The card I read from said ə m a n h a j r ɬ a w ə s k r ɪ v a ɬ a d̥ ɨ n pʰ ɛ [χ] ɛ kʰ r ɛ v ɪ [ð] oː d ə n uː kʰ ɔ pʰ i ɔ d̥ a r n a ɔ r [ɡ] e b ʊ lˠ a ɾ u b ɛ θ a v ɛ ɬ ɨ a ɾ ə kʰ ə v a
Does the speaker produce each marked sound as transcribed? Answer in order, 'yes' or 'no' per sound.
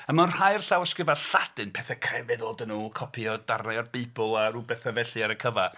no, yes, no

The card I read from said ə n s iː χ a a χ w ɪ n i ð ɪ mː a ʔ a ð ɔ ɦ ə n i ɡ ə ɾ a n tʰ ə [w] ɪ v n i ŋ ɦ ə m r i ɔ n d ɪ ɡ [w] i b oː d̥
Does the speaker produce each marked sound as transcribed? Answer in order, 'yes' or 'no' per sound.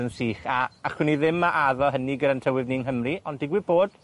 yes, yes

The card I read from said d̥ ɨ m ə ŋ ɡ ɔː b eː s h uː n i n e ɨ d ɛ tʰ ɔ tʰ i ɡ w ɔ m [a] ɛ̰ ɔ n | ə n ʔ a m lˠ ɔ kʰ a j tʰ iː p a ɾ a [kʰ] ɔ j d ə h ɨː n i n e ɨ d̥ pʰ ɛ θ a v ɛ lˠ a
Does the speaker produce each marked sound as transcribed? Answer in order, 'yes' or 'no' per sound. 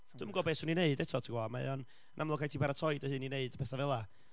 yes, no

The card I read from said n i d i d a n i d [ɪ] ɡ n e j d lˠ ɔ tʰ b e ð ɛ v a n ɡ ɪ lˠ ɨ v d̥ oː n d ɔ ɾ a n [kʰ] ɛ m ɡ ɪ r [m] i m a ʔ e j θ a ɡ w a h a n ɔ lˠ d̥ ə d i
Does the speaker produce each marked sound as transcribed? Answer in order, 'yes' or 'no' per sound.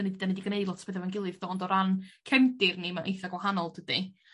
no, yes, no

